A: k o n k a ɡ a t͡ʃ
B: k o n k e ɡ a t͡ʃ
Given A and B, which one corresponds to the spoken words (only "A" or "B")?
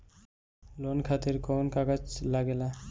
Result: A